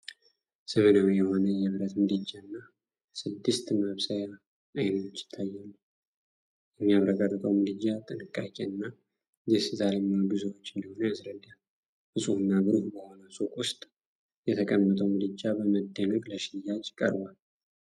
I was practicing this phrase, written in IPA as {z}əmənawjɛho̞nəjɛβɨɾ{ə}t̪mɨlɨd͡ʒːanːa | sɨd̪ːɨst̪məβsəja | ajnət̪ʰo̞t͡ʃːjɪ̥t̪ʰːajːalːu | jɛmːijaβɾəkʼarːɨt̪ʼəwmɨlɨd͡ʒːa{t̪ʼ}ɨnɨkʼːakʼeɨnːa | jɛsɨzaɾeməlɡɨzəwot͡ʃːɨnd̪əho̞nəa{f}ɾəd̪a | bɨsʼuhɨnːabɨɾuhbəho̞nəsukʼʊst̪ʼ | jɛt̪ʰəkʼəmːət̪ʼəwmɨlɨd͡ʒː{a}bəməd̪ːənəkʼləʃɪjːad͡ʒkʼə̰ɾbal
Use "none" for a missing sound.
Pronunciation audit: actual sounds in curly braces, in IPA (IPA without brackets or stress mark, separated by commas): s, ə, t̪ʼ, s, a